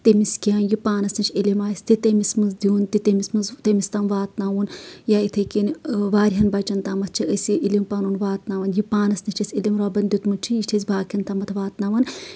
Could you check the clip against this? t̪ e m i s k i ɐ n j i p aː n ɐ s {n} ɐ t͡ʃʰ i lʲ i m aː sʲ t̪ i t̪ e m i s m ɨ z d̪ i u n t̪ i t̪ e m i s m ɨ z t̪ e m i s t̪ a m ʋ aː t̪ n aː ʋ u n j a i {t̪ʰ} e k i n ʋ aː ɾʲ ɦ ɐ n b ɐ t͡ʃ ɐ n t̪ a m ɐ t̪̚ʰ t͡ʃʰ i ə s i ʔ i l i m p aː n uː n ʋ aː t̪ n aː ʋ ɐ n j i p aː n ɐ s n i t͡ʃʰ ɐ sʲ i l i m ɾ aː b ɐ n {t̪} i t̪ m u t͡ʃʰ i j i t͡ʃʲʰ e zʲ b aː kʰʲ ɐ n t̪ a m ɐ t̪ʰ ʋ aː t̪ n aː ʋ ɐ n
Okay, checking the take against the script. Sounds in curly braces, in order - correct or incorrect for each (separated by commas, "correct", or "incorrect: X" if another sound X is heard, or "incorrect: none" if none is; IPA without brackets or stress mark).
correct, correct, incorrect: d̪